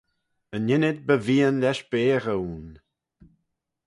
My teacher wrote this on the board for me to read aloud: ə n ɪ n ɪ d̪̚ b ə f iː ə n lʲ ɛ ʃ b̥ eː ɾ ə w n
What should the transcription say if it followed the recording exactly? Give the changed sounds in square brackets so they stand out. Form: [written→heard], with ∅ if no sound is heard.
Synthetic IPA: ə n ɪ n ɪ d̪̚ b ə [f→v] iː ə n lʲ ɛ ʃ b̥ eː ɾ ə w n